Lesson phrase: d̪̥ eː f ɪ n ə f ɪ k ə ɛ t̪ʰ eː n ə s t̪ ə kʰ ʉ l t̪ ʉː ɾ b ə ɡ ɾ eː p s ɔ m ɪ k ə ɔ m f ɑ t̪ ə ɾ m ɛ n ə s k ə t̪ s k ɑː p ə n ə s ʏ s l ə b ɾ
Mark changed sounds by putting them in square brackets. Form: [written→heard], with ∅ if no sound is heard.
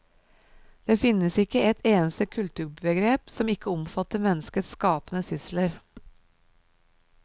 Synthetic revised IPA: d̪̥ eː f ɪ n ə [f→s] ɪ k ə ɛ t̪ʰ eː n ə s t̪ ə kʰ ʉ l t̪ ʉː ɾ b ə ɡ ɾ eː p s ɔ m ɪ k ə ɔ m f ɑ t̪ ə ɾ m ɛ n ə s k ə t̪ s k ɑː p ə n ə s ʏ s l ə [b→∅] ɾ